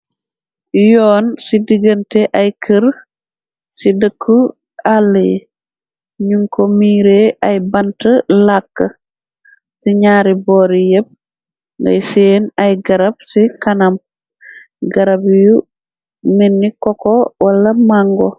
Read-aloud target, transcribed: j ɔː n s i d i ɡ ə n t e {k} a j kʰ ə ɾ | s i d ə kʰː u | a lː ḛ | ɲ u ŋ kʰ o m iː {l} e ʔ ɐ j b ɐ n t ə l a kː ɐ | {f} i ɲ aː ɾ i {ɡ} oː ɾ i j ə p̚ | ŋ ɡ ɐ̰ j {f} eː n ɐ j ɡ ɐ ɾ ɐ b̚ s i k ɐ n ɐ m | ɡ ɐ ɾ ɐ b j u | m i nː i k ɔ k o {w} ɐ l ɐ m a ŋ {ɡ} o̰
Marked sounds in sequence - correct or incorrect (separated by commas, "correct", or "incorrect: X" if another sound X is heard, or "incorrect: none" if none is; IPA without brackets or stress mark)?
incorrect: ʔ, incorrect: ɾ, incorrect: s, incorrect: b, incorrect: s, correct, correct